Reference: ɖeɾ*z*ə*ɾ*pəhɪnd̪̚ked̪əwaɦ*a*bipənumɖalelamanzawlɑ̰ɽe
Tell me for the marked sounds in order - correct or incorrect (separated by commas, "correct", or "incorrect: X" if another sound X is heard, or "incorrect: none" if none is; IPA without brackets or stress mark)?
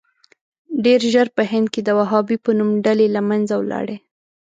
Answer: incorrect: ʒ, correct, incorrect: ɑ